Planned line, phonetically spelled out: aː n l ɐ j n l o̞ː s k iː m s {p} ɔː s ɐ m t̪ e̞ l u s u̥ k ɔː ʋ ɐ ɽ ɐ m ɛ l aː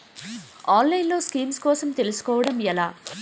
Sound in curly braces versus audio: incorrect: k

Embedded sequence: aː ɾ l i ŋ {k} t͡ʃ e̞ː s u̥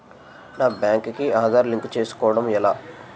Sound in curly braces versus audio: correct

